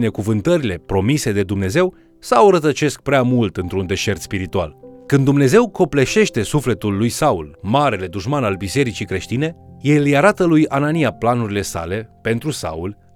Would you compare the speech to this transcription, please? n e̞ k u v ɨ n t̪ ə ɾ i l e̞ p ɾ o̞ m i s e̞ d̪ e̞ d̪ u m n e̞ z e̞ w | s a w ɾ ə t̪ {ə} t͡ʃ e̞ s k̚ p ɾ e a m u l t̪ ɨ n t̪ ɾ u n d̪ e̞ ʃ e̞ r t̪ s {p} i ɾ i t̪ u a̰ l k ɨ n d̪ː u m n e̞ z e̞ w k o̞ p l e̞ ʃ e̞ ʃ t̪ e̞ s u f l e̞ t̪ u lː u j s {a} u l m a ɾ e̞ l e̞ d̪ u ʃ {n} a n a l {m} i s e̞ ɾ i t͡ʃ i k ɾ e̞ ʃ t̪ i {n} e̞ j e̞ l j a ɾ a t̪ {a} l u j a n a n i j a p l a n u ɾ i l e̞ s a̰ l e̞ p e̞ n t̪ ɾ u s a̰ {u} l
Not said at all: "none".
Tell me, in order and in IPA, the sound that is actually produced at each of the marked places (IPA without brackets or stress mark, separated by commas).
ə, p, a, m, b, n, ə, u